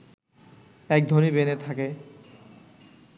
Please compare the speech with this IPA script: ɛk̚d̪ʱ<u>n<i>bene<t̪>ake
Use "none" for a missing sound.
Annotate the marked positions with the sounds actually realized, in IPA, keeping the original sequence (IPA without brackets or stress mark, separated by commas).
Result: o, i, t̪ʰ